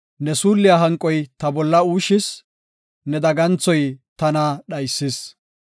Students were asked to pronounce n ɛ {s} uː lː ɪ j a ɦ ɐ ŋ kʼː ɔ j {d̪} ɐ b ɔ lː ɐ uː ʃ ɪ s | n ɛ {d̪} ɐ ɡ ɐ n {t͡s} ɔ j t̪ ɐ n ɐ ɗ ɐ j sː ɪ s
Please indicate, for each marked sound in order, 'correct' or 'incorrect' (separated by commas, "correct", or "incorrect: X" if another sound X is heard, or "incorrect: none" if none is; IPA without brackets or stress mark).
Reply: correct, incorrect: t̪, correct, correct